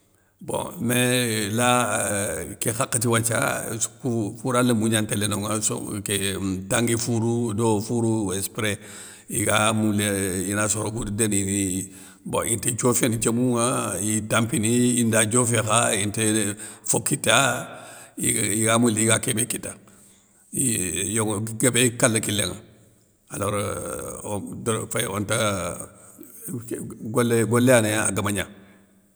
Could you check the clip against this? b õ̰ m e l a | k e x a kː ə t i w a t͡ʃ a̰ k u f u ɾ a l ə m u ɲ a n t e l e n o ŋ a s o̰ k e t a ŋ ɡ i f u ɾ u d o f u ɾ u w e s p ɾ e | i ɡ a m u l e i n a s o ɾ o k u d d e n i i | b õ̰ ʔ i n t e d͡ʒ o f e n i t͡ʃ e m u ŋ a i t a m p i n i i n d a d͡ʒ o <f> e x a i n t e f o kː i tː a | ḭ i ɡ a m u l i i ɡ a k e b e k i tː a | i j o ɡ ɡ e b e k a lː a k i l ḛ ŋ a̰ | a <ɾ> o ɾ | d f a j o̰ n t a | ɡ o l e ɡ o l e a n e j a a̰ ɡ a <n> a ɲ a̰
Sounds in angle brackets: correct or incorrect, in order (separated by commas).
correct, incorrect, incorrect